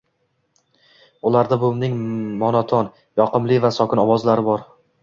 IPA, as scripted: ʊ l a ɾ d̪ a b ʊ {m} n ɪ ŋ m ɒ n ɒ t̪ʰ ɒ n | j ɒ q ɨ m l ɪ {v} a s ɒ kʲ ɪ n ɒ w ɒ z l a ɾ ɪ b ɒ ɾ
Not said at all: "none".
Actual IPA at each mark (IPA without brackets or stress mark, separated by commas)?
m, v